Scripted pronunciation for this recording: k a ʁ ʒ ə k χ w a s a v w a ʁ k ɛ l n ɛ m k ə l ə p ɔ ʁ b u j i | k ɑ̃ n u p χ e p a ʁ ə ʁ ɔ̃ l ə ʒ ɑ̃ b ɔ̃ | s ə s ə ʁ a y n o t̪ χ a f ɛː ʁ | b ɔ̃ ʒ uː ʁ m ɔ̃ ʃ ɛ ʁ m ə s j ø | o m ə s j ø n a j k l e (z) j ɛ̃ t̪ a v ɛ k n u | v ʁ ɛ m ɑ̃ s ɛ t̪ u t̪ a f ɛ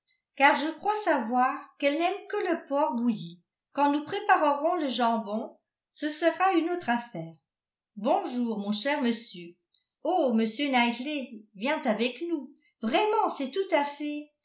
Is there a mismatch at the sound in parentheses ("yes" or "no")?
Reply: yes